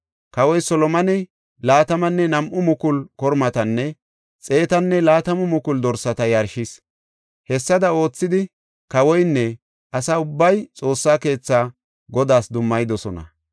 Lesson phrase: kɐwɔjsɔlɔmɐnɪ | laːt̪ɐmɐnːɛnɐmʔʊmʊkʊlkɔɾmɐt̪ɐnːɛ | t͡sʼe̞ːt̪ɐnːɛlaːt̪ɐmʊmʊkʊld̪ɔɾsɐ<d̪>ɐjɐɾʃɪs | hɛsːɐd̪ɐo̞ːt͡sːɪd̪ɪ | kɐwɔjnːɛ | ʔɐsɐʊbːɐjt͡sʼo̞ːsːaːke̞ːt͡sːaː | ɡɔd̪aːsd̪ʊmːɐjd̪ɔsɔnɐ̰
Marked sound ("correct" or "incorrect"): incorrect